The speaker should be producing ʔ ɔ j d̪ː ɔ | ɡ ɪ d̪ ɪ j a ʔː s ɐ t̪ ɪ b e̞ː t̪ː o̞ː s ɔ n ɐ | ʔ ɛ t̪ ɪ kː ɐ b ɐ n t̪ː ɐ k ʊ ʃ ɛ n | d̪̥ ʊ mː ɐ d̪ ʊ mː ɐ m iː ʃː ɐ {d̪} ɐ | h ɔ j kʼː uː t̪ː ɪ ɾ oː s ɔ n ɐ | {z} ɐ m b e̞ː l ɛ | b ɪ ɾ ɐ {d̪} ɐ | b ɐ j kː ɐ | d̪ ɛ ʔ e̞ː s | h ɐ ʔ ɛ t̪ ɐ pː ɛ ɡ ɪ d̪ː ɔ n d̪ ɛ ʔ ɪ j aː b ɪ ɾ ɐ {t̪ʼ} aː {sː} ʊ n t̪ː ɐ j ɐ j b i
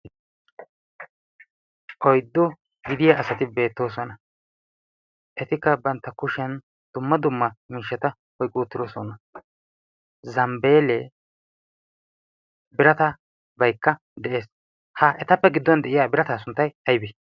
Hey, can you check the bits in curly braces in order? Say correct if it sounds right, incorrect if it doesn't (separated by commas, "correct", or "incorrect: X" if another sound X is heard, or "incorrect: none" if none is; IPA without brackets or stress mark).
incorrect: t̪, correct, incorrect: t̪, incorrect: t̪, incorrect: s